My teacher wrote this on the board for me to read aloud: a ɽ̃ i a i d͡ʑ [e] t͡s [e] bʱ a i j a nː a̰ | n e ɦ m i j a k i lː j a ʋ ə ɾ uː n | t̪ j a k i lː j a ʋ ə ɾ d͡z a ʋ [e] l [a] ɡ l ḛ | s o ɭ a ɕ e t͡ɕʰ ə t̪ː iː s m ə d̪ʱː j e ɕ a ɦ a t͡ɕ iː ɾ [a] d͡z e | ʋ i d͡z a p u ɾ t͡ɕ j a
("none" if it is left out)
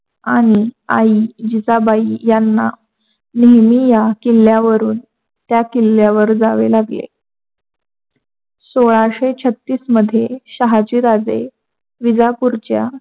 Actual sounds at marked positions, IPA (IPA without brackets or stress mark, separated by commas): i, a, e, a, a